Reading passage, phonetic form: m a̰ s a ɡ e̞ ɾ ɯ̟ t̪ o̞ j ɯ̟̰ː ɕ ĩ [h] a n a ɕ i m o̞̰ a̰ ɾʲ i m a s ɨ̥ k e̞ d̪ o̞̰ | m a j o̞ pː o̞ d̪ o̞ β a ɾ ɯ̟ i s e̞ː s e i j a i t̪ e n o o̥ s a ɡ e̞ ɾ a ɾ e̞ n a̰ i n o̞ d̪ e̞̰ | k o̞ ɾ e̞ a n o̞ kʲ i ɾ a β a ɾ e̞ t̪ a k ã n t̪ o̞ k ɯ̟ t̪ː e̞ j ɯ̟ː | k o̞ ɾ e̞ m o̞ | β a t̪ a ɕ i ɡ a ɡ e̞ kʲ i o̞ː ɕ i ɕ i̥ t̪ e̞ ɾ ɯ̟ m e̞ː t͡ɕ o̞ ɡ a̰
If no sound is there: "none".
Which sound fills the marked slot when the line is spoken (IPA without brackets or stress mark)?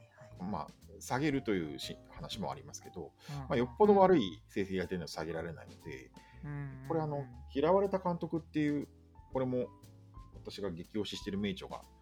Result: h